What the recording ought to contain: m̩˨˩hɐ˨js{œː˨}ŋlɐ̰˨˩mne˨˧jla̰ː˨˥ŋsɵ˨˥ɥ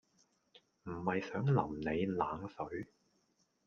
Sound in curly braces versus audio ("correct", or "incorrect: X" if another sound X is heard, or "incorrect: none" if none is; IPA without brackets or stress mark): incorrect: œː˨˥